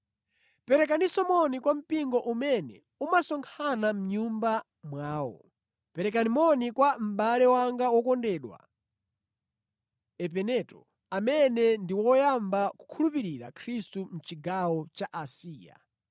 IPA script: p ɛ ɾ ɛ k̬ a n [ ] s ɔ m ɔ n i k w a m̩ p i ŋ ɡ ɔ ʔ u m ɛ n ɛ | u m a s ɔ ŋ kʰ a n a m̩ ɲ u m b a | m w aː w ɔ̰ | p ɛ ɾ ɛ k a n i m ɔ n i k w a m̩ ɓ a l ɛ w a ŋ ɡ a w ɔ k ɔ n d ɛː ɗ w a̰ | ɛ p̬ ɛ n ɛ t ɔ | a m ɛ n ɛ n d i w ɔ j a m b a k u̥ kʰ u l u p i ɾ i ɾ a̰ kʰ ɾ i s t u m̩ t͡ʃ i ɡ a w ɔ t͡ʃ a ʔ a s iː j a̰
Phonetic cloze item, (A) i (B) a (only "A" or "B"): A